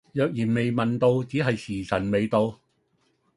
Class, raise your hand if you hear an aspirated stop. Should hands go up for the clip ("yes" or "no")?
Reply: no